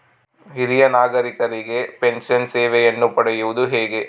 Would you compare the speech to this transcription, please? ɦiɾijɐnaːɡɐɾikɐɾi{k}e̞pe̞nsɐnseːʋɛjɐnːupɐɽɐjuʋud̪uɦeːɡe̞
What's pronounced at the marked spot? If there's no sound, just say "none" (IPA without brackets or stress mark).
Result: ɡ